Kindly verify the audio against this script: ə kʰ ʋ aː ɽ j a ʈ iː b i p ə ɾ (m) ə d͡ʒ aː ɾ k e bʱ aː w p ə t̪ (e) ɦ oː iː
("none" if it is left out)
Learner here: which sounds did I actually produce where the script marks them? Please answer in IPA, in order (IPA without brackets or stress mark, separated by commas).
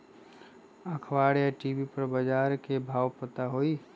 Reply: b, a